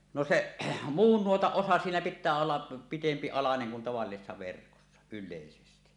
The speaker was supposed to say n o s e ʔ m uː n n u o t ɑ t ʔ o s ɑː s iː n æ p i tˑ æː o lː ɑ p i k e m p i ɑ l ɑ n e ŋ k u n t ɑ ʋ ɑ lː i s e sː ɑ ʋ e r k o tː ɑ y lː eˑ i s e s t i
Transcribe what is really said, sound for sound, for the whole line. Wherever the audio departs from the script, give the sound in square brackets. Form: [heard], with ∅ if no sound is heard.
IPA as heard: n o s e ʔ m uː n n u o t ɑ [ʔ] ʔ o s [ɑ] s iː n æ p i tˑ æː o lː ɑ p i [t] e m p i ɑ l ɑ n e ŋ k u n t ɑ ʋ ɑ lː i s e sː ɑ ʋ e r k o [sː] ɑ y lː eˑ i s e s t i